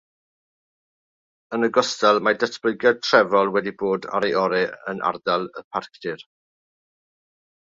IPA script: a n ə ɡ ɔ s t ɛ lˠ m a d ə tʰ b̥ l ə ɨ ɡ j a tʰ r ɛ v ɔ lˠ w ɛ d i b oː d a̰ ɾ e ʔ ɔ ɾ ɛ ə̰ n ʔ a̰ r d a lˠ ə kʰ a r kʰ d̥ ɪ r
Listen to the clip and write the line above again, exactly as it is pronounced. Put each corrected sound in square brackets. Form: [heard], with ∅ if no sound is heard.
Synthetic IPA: [ə] n ə ɡ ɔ s t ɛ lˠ m a d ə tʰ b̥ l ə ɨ ɡ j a tʰ r ɛ v ɔ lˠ w ɛ d i b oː d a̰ ɾ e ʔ ɔ ɾ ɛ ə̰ n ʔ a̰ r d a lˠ ə [pʰ] a r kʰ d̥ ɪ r